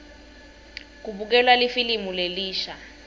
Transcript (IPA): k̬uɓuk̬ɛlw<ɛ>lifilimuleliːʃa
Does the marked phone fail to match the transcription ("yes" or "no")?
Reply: yes